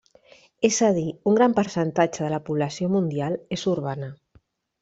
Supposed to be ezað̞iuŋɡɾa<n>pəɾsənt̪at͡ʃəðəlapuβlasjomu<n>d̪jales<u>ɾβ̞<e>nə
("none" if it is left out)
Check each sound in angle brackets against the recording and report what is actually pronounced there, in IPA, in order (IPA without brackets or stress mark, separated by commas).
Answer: m, n, u, a